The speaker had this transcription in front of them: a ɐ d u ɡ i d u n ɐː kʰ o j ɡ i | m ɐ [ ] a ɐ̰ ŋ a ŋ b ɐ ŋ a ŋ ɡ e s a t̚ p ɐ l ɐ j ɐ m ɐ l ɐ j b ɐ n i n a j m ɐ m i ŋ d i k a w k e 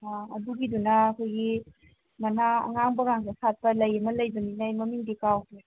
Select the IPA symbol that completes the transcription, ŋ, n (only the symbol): n